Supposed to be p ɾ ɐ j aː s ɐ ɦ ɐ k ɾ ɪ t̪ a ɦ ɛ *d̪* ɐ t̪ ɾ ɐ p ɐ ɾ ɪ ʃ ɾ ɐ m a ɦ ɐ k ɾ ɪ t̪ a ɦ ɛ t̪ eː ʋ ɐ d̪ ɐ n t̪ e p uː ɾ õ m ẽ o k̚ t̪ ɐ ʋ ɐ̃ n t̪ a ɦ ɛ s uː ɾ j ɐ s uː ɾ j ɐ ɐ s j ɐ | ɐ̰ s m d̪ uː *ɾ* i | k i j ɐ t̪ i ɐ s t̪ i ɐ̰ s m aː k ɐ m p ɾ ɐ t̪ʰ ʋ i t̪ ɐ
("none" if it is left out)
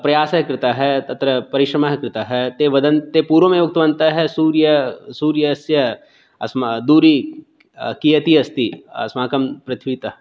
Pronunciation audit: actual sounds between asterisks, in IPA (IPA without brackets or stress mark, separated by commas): t̪, ɾ